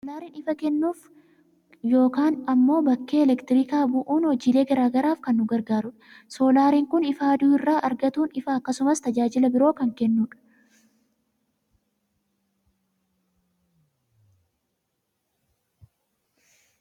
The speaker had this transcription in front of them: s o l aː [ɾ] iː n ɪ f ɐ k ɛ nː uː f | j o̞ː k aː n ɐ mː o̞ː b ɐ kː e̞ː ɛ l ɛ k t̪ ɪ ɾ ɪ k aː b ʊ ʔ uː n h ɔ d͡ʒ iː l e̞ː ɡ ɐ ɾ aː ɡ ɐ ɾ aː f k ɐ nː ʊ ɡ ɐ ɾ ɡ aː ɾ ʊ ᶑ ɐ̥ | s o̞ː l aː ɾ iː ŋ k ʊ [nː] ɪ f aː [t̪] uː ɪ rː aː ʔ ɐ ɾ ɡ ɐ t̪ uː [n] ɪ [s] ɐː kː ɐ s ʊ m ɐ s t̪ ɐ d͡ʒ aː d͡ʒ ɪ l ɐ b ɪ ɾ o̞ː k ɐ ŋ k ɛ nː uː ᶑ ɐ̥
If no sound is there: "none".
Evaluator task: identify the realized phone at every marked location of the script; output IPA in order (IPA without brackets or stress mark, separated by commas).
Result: ɾ, n, d̪, n, f